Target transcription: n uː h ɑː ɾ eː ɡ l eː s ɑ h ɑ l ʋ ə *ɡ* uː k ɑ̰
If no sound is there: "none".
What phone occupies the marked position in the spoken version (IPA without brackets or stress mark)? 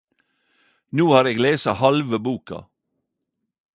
b